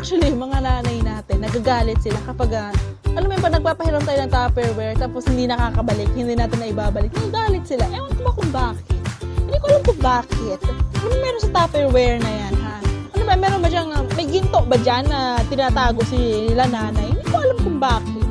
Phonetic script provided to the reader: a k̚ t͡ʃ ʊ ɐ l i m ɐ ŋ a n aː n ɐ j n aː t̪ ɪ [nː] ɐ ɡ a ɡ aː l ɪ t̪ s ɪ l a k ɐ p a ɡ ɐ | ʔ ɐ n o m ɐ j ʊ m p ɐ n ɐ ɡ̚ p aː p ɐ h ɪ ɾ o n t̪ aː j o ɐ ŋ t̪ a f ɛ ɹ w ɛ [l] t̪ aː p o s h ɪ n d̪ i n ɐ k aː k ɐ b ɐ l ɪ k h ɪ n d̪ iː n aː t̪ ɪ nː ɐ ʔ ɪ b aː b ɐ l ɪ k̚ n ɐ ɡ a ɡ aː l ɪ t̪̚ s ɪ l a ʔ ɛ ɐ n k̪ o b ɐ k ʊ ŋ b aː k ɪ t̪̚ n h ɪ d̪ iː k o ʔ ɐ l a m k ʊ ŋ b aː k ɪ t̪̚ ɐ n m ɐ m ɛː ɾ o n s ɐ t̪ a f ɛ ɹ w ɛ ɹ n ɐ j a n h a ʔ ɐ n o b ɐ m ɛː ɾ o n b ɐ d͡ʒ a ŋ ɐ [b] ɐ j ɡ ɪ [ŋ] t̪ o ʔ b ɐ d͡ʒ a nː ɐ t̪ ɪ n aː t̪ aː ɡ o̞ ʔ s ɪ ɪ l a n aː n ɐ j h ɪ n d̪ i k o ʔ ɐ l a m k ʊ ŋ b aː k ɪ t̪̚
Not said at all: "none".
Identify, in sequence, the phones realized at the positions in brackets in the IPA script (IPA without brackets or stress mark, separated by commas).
nː, ɹ, m, n